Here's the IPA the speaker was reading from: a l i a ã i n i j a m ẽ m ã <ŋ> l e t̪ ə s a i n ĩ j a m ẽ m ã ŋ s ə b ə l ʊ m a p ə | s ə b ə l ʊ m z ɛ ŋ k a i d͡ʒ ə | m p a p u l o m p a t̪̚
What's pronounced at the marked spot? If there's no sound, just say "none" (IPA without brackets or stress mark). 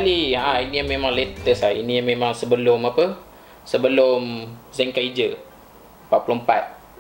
ŋ